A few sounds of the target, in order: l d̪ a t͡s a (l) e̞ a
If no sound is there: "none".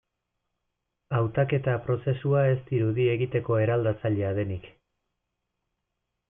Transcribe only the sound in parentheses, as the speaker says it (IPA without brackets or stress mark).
ʎ